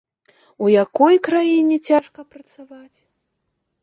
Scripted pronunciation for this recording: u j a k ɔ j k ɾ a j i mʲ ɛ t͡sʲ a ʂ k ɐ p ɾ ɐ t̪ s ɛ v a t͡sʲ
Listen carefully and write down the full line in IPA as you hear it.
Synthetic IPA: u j a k ɔ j k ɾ a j i nʲ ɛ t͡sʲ a ʂ k ɐ p ɾ ɐ t̪ s a v a t͡sʲ